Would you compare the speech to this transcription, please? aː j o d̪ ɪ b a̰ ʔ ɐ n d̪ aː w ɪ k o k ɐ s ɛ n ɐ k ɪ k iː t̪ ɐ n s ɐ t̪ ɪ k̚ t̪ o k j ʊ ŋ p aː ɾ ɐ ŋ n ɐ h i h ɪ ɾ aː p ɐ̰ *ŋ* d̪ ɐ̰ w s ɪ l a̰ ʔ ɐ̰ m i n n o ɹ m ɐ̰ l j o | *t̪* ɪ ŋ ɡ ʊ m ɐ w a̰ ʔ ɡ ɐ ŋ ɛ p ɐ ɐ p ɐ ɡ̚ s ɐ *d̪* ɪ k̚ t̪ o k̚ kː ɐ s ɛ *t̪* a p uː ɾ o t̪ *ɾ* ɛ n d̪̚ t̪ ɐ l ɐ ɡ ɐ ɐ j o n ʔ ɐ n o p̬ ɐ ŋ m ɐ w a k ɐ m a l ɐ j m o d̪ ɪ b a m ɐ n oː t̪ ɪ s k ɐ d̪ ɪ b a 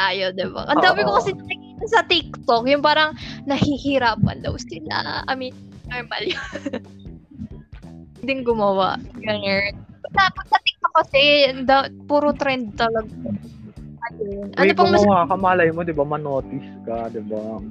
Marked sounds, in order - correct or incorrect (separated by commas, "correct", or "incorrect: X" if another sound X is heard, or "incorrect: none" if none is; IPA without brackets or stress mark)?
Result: incorrect: n, incorrect: d̪, incorrect: t̪, incorrect: d̪, correct